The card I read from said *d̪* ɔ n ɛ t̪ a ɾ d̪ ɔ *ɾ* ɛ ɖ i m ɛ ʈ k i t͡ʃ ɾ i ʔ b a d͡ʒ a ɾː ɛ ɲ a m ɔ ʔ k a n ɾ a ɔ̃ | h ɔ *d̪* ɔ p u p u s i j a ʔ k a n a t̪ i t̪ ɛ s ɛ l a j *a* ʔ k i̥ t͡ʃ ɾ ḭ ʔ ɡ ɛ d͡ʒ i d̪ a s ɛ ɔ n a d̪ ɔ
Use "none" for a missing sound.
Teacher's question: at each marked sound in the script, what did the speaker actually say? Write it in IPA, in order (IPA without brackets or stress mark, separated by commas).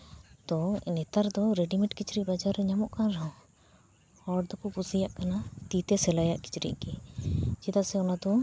t̪, ɾ, d̪, a